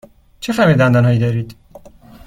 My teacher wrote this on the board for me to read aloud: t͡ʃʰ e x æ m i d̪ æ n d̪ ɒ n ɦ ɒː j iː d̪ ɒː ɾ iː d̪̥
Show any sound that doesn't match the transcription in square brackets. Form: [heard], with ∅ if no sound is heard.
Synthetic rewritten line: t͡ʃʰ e [f] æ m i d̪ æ n d̪ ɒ n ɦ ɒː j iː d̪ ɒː ɾ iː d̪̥